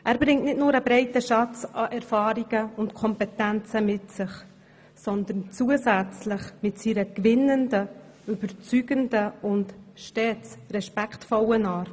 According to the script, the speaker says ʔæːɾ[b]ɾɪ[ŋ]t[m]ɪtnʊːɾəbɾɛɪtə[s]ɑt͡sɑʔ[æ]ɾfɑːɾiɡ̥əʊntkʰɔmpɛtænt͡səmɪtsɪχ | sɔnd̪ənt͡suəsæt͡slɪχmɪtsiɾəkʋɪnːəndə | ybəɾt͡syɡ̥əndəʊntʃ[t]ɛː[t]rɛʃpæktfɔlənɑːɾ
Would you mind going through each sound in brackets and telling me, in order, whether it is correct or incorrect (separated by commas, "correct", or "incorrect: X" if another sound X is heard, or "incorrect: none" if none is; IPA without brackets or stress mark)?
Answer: correct, correct, incorrect: n, incorrect: ʃ, incorrect: ɛ, correct, incorrect: t͡s